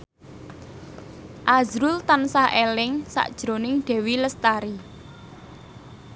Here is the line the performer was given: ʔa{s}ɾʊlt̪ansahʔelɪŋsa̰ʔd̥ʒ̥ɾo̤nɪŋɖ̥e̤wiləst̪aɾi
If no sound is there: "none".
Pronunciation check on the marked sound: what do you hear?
z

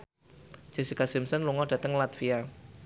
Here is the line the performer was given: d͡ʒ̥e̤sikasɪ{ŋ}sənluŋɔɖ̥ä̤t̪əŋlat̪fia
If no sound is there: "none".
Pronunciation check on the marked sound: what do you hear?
m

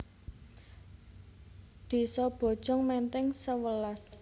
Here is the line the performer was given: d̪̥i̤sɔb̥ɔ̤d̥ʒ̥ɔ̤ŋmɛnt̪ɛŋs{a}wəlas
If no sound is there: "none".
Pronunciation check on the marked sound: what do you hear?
ə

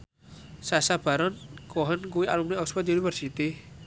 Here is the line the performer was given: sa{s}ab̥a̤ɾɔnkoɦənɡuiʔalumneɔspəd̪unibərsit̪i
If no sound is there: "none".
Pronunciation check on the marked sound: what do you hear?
s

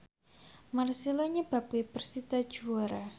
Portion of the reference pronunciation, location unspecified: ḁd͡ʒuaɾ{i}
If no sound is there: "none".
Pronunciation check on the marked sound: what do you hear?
a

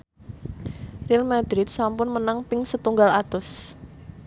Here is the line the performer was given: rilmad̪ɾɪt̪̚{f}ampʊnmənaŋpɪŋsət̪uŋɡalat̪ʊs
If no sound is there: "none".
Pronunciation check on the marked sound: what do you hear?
s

